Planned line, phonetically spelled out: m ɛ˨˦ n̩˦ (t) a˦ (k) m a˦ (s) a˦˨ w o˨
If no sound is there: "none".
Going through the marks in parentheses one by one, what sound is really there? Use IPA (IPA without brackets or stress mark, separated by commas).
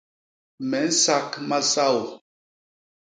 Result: s, k, s